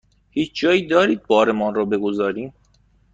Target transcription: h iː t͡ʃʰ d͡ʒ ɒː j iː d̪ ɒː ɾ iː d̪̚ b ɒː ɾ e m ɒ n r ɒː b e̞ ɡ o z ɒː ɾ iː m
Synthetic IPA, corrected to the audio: h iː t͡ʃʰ d͡ʒ ɒː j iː d̪ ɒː ɾ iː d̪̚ b ɒː ɾ e m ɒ n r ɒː b e̞ ɡ o z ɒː ɾ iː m